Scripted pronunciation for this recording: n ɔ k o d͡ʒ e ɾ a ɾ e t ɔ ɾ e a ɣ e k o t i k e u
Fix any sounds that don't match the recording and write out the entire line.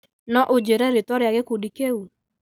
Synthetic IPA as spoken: n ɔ ʔ o d͡ʒ e ɾ ɛ ɾ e t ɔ ɾ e a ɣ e k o d i k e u